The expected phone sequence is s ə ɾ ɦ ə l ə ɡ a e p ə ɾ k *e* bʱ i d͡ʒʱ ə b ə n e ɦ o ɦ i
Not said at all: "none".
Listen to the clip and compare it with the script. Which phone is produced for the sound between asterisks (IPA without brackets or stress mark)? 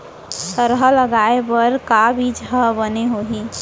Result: a